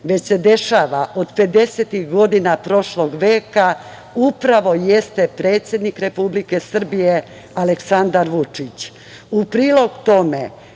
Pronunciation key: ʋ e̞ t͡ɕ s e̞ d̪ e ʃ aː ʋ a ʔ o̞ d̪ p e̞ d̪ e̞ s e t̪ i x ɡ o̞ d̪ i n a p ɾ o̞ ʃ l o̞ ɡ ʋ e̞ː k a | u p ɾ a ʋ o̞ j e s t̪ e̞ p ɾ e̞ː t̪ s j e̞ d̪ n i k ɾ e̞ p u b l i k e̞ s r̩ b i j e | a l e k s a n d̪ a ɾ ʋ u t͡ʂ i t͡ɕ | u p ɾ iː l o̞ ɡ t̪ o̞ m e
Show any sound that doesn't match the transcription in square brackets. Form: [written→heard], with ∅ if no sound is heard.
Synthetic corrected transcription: ʋ e̞ t͡ɕ s e̞ d̪ e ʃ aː ʋ a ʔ o̞ d̪ p e̞ d̪ e̞ s e t̪ i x ɡ o̞ d̪ i n a p ɾ o̞ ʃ l o̞ ɡ ʋ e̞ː k a | u p ɾ a ʋ o̞ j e s t̪ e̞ p ɾ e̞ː t̪ s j e̞ d̪ n i k ɾ e̞ p u b l i k e̞ s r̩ b i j e | a l e k s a n d̪ a ɾ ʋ u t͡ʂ i t͡ɕ | u p ɾ iː l o̞ ɡ t̪ o̞ m e